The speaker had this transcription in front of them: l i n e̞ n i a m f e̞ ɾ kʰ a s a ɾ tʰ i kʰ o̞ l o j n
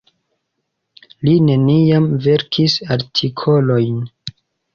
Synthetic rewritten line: l i n e̞ n i a m v e̞ ɾ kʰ i s a ɾ tʰ i kʰ o̞ l o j n